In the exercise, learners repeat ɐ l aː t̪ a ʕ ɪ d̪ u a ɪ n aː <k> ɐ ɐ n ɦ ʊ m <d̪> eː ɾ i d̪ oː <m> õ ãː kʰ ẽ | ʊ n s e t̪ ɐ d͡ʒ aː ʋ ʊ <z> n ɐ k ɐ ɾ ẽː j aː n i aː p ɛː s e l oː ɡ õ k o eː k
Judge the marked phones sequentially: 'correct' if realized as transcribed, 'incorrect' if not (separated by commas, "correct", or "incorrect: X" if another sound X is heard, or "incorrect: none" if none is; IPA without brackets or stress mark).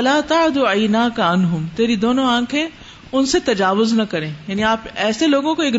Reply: correct, incorrect: t̪, incorrect: n, correct